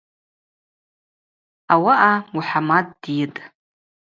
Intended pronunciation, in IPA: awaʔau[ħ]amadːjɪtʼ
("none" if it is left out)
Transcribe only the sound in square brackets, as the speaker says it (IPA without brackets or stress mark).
ħ